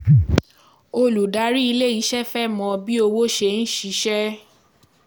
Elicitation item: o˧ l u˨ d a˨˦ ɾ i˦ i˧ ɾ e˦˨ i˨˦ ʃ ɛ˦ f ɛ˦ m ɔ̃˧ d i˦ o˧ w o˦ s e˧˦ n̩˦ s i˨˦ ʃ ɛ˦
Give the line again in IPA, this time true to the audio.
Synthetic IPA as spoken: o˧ l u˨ d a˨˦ ɾ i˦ i˧ l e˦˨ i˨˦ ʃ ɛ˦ f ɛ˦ m ɔ̃˧ b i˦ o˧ w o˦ ʃ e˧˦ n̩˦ ʃ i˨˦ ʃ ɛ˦